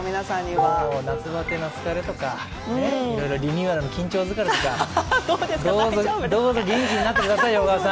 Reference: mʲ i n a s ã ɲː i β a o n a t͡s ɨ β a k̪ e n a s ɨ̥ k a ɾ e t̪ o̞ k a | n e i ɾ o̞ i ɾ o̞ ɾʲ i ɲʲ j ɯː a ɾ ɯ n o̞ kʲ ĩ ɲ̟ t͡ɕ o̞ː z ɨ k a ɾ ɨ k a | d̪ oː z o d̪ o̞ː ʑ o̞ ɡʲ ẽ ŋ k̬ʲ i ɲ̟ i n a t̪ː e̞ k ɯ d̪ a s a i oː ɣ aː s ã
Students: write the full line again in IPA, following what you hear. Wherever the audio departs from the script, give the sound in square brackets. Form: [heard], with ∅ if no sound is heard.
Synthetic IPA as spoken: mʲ i n a s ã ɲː i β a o n a t͡s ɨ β a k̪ e n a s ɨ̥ k a ɾ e t̪ o̞ k a | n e i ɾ o̞ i ɾ o̞ ɾʲ i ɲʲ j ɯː a ɾ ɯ n o̞ kʲ ĩ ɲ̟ t͡ɕ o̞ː z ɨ k a ɾ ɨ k a | d̪ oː z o d̪ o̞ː [z] o̞ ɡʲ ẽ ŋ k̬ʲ i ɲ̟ i n a t̪ː e̞ k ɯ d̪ a s a i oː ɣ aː s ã